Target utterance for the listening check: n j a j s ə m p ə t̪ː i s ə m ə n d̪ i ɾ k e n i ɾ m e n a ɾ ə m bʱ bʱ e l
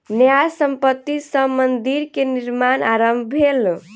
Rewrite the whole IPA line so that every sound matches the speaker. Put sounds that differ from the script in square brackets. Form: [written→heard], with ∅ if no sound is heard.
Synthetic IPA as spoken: n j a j s ə m p ə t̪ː i s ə m ə n d̪ i ɾ k e n i ɾ m [e→a] n a ɾ ə m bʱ bʱ e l